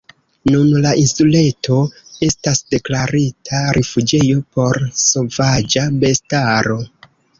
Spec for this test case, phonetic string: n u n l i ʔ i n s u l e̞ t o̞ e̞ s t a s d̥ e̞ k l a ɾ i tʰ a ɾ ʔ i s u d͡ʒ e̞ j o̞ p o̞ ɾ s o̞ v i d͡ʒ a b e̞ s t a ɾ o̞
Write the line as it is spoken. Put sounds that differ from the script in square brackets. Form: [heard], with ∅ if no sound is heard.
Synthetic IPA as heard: n u n l [a] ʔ i n s u l e̞ t o̞ e̞ s t a s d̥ e̞ k l a ɾ i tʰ a ɾ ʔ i [f] u d͡ʒ e̞ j o̞ p o̞ ɾ s o̞ v [a] d͡ʒ a b e̞ s t a ɾ o̞